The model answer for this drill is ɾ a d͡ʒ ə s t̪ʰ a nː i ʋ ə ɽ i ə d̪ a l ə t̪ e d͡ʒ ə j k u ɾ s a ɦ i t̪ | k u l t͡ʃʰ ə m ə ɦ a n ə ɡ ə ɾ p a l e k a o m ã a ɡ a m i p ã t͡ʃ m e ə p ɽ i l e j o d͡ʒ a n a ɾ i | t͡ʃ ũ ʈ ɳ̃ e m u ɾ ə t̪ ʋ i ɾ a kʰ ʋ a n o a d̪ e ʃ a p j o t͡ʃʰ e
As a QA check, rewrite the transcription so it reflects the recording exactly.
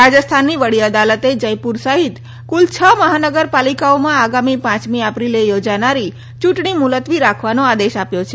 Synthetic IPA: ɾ a d͡ʒ ə s t̪ʰ a nː i ʋ ə ɽ i ə d̪ a l ə t̪ e d͡ʒ ə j p u ɾ s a ɦ i t̪ | k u l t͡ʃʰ ə m ə ɦ a n ə ɡ ə ɾ p a l i k a o m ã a ɡ a m i p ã t͡ʃ m i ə p ɾ i l e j o d͡ʒ a n a ɾ i | t͡ʃ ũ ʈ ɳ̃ i m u l ə t̪ ʋ i ɾ a kʰ ʋ a n o a d̪ e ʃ a p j o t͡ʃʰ e